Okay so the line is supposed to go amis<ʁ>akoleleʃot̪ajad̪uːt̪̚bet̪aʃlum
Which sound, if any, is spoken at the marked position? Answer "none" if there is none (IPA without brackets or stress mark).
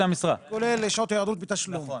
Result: ʁ